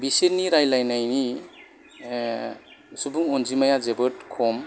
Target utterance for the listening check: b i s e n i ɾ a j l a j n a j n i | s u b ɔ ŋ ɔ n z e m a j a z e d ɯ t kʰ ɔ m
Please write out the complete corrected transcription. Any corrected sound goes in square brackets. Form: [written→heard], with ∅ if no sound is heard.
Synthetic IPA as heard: b i s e n i ɾ a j l a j n a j n i | s u b [ɔ→u] ŋ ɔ n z [e→i] m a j a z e [d→b] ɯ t kʰ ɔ m